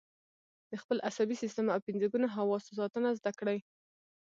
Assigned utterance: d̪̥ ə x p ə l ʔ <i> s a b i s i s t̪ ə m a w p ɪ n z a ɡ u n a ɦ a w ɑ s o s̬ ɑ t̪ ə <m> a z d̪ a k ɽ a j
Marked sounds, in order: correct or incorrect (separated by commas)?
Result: incorrect, incorrect